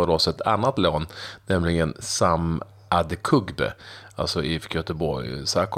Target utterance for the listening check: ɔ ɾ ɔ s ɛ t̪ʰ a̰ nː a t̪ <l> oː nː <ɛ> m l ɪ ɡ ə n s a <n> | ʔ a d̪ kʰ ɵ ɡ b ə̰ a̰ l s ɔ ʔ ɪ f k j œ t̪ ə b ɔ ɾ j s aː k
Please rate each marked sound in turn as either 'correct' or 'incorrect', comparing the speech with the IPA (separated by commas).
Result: correct, correct, incorrect